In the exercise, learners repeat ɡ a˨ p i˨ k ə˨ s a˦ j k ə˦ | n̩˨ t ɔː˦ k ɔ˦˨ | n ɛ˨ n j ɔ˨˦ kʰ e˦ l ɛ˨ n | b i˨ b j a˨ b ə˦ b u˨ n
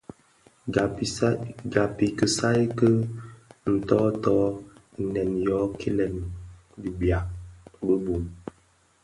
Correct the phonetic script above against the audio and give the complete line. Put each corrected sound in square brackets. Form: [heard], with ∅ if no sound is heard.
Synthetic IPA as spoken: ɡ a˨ p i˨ k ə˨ s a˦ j k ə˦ | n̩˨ t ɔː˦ [t] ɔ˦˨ | n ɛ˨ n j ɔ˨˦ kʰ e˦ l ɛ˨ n | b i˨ b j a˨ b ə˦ b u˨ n